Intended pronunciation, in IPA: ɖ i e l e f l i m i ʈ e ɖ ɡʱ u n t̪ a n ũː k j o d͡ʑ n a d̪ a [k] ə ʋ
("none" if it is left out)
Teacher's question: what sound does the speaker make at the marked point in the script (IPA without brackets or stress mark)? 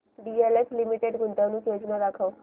kʰ